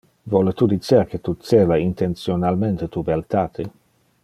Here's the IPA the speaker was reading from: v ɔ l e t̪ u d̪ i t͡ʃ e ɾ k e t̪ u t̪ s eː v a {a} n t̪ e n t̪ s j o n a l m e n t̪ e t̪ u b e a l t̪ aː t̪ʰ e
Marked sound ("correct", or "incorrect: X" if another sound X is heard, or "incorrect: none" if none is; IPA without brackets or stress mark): incorrect: i